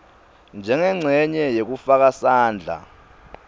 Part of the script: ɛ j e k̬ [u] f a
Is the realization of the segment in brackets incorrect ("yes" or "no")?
no